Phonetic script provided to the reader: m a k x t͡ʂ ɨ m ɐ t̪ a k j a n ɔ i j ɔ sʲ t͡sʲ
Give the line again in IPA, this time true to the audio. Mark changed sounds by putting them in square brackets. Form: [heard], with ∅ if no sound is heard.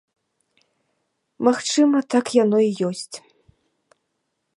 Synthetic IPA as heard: m a [∅] x t͡ʂ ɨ m ɐ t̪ a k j a n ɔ i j ɔ sʲ t͡sʲ